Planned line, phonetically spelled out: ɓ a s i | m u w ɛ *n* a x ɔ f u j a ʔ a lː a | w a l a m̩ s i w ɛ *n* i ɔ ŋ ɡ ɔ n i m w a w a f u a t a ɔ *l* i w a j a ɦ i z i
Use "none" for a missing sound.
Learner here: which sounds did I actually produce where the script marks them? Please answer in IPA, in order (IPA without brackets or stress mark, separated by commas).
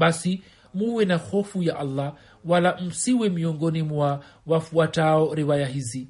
n, m, ɾ